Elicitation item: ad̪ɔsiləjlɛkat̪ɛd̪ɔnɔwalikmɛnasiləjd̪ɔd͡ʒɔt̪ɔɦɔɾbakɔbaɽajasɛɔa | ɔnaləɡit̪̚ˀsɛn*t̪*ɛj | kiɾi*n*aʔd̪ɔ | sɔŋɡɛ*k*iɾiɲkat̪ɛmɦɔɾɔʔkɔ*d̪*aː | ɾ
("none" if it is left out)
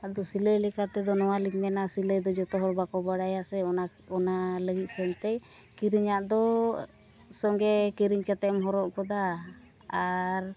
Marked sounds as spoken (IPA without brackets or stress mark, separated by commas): t̪, ɲ, k, d̪